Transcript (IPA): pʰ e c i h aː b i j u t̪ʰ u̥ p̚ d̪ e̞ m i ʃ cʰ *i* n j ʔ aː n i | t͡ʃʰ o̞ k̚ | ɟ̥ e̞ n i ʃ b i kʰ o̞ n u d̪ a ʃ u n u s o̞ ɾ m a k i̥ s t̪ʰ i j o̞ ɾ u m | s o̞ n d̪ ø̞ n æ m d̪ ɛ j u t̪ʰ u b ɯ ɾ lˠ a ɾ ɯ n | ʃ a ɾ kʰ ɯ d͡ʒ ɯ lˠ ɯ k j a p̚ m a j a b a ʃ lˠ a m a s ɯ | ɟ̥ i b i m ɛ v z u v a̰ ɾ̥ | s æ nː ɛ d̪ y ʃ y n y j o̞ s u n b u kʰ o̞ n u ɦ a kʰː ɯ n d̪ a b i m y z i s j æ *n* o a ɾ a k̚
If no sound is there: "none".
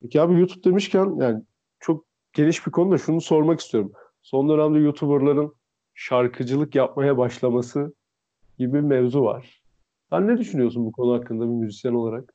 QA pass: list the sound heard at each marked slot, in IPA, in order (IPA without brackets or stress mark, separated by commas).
æ, n